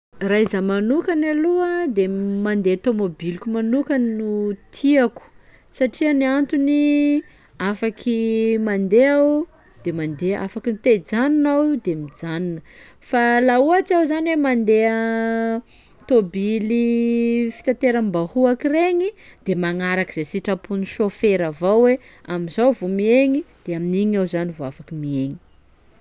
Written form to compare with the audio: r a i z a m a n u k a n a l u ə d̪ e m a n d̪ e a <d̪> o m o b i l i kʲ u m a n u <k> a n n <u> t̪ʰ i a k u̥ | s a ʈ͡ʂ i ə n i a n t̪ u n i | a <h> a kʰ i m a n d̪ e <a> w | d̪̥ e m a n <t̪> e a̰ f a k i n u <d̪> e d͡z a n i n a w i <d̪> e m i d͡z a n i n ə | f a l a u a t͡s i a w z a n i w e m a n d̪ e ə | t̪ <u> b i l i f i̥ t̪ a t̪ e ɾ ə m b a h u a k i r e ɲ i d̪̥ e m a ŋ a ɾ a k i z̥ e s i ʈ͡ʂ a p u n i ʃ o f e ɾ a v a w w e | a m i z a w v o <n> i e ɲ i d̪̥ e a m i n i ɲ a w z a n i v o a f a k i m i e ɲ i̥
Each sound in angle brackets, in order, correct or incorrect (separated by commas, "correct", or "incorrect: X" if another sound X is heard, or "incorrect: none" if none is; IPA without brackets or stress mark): incorrect: t̪, correct, correct, incorrect: f, correct, incorrect: d̪, incorrect: t̪, correct, incorrect: o, incorrect: m